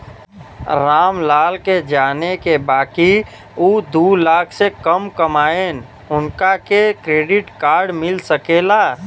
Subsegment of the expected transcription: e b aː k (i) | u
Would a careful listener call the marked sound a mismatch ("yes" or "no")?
no